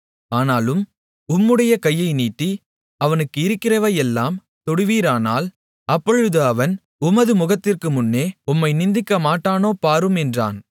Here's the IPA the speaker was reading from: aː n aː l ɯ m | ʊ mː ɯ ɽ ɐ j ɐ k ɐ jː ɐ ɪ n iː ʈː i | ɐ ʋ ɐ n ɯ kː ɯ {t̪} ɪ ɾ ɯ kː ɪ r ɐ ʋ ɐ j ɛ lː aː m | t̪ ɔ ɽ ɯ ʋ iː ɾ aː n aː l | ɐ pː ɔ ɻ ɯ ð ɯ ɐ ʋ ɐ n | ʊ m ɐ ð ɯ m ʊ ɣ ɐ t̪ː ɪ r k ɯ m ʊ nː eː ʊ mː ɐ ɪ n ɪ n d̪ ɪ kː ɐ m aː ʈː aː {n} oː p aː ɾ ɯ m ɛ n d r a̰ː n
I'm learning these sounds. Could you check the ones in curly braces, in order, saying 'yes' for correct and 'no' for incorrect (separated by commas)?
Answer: no, yes